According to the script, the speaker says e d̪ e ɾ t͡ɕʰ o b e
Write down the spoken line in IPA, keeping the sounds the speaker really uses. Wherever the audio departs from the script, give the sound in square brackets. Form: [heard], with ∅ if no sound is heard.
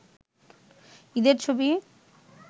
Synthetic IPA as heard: [i] d̪ e ɾ t͡ɕʰ o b [i]